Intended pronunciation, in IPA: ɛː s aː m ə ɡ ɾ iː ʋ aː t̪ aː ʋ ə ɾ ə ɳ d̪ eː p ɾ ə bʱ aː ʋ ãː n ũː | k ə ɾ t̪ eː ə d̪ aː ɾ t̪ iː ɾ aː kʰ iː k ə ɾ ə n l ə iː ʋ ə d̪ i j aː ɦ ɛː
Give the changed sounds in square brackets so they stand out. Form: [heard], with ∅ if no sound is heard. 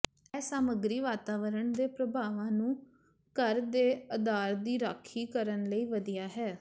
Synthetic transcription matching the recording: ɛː s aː m ə ɡ ɾ iː ʋ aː t̪ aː ʋ ə ɾ ə ɳ d̪ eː p ɾ ə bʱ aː ʋ ãː n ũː | k ə ɾ [d̪] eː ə d̪ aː ɾ [d̪] iː ɾ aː kʰ iː k ə ɾ ə n l ə iː ʋ ə d̪ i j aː ɦ ɛː